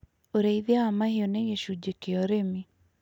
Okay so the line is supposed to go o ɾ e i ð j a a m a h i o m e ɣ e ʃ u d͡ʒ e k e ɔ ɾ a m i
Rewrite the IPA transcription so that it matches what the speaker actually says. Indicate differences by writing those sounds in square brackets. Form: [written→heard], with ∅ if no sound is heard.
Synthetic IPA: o ɾ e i ð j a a m a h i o [m→n] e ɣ e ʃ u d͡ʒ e k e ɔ ɾ [a→e] m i